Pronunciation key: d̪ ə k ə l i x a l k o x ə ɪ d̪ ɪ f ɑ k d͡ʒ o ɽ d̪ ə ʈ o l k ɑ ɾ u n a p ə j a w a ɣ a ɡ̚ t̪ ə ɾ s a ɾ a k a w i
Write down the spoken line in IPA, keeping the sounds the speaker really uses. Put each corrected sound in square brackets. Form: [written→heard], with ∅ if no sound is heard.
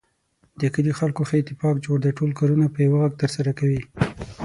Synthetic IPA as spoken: d̪ ə k ə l i x a l k o x ə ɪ [d̪→t̪] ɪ f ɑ k d͡ʒ o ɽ d̪ ə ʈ o l k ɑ ɾ u n a p ə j a w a ɣ a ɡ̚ t̪ ə ɾ s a ɾ a k a w i

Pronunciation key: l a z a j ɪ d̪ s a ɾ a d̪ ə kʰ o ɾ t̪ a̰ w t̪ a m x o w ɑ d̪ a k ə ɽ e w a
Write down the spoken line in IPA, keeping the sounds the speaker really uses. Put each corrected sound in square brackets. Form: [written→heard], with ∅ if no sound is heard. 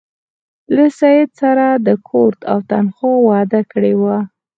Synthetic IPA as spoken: l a [z→s] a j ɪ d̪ s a ɾ a d̪ ə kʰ o ɾ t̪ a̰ w t̪ a [m→n] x o w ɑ d̪ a k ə ɽ e w a

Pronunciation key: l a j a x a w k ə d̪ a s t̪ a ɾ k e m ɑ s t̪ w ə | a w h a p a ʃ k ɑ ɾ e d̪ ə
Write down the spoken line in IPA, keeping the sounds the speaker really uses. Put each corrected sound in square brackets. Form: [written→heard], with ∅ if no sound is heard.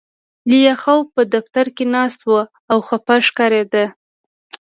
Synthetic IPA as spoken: l [a→i] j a x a w [k→p] ə d̪ a [s→f] t̪ a ɾ k e [m→n] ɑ s t̪ w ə | a w [h→x] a p a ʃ k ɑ ɾ e d̪ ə

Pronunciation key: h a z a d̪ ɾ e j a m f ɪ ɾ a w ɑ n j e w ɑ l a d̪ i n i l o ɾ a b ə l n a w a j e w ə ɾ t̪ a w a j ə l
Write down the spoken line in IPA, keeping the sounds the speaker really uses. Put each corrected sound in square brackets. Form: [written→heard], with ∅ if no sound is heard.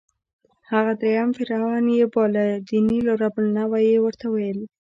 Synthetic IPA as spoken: h a [z→ɣ] a d̪ ɾ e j a m f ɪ ɾ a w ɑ n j e [w→b] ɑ l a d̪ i n i l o ɾ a b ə l n a w a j e w ə ɾ t̪ a w a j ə l

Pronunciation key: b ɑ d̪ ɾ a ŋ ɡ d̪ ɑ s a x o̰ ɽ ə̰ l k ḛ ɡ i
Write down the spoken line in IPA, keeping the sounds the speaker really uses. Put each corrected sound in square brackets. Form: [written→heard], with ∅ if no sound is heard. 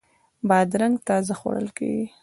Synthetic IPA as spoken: b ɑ d̪ ɾ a ŋ ɡ [d̪→t̪] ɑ [s→z] a x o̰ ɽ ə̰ l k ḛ ɡ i

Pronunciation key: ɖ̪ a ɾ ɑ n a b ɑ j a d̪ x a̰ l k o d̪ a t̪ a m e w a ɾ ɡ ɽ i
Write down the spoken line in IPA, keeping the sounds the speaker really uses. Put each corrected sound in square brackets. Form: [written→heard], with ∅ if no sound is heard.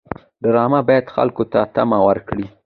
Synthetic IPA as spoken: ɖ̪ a ɾ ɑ [n→m] a b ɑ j a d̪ x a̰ l k o [d̪→t̪] a t̪ a m [e→a] w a ɾ [ɡ→k] ɽ i

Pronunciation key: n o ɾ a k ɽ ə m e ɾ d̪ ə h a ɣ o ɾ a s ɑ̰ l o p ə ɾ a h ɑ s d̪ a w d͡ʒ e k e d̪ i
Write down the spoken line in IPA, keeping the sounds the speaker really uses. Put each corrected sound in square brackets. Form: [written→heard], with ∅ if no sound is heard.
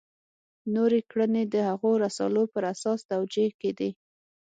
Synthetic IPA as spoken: n o ɾ [a→e] k ɽ ə [m→n] e [ɾ→∅] d̪ ə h a ɣ o ɾ a s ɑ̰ l o p ə ɾ a [h→s] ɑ s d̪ a w d͡ʒ e k e d̪ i

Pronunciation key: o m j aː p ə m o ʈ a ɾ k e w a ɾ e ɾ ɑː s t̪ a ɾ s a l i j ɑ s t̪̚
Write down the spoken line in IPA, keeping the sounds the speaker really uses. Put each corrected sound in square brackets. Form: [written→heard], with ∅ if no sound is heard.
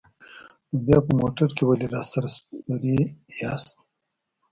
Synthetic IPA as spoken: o [m→b] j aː p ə m o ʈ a ɾ k e w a [ɾ→l] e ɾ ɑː s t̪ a ɾ s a [l→ɾ] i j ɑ s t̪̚

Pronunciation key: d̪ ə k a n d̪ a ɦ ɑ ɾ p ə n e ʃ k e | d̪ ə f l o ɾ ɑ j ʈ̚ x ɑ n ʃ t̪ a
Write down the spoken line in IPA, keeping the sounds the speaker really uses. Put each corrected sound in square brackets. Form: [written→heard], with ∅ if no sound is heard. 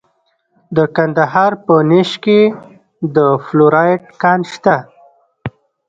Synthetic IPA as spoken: d̪ ə k a n d̪ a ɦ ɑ ɾ p ə n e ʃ k e | d̪ ə f l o ɾ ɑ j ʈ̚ [x→k] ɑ n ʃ t̪ a

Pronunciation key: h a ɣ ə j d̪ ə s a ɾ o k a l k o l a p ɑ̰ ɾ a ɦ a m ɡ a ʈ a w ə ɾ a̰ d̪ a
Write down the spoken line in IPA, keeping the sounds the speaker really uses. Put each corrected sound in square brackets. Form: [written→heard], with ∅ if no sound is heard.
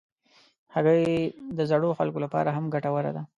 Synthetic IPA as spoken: h a ɣ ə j d̪ ə [s→z] a [ɾ→ɽ] o [k→x] a l k o l a p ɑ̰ ɾ a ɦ a m ɡ a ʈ a w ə ɾ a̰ d̪ a

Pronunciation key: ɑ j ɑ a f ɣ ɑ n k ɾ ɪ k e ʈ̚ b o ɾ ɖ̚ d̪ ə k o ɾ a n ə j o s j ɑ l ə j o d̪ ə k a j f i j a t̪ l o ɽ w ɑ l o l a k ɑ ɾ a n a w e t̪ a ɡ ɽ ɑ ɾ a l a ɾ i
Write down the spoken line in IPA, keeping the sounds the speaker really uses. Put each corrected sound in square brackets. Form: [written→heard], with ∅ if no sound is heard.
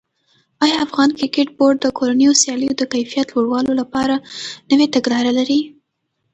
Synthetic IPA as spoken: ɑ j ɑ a f ɣ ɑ n k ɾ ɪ k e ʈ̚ b o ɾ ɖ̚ d̪ ə k o ɾ a n ə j o s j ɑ l ə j o d̪ ə k a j f i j a t̪ l o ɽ w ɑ l o l a [k→p] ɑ ɾ a n [a→ə] w e t̪ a ɡ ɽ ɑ ɾ a l a ɾ i

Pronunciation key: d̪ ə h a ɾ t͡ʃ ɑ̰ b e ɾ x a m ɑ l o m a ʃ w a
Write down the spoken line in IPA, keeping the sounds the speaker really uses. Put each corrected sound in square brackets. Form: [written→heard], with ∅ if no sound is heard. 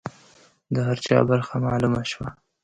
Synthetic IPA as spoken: d̪ ə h a ɾ t͡ʃ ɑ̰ b [e→a] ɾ x a m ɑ l [o→u] m a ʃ w a

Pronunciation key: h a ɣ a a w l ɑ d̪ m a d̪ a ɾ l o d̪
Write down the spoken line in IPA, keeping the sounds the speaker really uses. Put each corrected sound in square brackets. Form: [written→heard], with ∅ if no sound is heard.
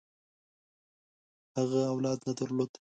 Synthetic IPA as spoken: h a ɣ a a w l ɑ d̪ [m→n] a d̪ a ɾ l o d̪

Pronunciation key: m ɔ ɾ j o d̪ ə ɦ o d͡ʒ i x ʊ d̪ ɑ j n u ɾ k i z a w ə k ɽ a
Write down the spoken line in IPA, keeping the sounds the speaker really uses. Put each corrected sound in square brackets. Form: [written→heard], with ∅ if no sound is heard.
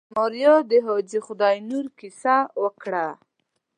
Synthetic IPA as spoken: m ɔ ɾ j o d̪ ə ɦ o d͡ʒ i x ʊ d̪ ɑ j n u ɾ k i [z→s] a w ə k ɽ a

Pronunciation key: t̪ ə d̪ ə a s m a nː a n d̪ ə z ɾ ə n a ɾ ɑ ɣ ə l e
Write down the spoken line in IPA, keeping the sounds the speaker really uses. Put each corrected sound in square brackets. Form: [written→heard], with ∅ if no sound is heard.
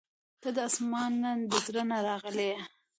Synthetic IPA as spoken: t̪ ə d̪ ə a s m [a→ɑ] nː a n d̪ ə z ɾ ə n a ɾ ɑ ɣ ə l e

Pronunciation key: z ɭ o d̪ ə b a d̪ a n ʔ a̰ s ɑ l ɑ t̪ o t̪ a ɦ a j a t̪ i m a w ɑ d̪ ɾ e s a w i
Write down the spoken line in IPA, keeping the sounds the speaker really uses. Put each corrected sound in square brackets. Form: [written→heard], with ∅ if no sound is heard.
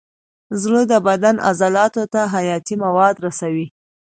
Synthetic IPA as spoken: z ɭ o d̪ ə b a d̪ a n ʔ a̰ [s→z] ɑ l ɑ t̪ o t̪ a ɦ a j [a→ɑ] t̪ i m a w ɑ d̪ ɾ [e→a] s a w i

